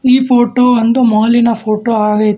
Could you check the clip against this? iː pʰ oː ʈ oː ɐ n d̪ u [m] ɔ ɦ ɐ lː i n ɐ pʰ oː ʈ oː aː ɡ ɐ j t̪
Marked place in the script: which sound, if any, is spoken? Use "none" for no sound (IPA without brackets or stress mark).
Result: m